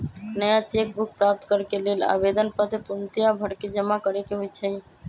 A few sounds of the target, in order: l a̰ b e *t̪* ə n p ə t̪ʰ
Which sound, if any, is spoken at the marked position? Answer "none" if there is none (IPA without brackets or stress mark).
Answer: d̪